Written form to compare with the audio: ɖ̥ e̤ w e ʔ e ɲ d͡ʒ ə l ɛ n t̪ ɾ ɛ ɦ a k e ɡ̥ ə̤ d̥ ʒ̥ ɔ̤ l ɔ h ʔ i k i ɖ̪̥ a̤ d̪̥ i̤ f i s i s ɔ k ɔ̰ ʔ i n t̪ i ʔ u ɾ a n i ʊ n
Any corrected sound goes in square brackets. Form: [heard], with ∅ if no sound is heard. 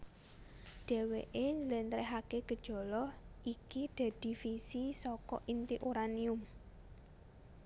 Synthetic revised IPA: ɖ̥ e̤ w e ʔ e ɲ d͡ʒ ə l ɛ n t̪ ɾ ɛ ɦ a k e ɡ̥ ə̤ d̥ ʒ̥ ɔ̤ l ɔ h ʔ i k i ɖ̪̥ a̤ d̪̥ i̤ f i s i s ɔ k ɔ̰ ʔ i n t̪ i ʔ u ɾ a n i ʊ [m]